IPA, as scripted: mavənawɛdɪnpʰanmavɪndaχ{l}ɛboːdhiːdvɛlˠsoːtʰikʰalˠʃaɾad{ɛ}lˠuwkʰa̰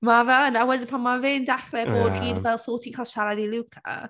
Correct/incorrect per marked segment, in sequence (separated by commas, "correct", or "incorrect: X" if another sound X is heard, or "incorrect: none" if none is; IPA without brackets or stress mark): correct, incorrect: i